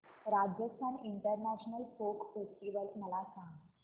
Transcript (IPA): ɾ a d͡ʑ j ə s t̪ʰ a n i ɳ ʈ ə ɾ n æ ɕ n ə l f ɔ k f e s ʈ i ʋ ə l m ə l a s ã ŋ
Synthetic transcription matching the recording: ɾ a d͡ʑ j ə s t̪ʰ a n i ɳ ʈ ə ɾ n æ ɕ n ə l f o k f e s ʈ i ʋ ə l m ə l a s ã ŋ

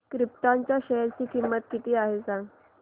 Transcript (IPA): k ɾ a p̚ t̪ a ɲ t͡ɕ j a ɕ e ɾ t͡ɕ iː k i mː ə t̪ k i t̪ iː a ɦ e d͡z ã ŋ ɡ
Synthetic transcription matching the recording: k ɾ i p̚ t̪ a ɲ t͡ɕ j a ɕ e ɾ t͡ɕ iː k i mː ə t̪ k i t̪ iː a ɦ e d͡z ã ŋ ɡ

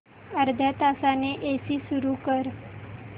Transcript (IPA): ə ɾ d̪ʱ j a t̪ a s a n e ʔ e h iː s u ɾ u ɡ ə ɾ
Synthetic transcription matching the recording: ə ɾ d̪ʱ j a t̪ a s a n e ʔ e s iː s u ɾ u k ə ɾ

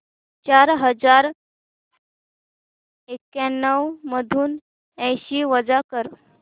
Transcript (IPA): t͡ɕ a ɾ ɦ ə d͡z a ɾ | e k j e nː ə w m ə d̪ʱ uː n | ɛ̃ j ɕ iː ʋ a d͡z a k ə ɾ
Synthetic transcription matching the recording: t͡ɕ a ɾ ɦ ə d͡z a ɾ | e k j a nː ə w m ə d̪ʱ uː n | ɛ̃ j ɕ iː ʋ ə d͡z a k ə ɾ

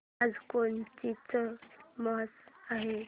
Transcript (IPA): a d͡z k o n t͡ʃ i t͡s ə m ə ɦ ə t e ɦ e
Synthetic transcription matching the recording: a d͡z k o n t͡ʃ i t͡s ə m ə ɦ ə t a ɦ e

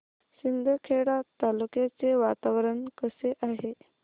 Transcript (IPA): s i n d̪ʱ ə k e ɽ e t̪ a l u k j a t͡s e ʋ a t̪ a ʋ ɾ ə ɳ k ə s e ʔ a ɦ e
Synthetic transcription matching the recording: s i n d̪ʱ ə kʰ e ɽ a t̪ a l u k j a t͡s e ʋ a t̪ a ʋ ɾ ə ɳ k ə s e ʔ a ɦ e

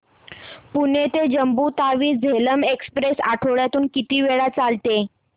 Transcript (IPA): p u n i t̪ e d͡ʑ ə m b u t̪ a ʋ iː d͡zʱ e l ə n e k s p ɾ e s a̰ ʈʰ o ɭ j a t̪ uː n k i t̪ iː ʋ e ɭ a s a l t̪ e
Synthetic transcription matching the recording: p u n e t̪ e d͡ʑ ə m b u t̪ a ʋ iː d͡zʱ e l ə m e k s p ɾ e s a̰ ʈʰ o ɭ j a t̪ uː n k i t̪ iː ʋ e ɭ a t͡s a l t̪ e

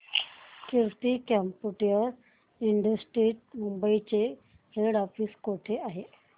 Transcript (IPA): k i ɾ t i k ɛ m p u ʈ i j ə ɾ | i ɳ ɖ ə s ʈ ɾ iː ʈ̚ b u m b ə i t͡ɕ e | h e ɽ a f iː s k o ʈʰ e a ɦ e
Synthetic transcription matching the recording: k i ɾ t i k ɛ m p u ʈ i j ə ɾ | i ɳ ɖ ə s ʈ ɾ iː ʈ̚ m u m b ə i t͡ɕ e | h e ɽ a f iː s k o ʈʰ e a ɦ e

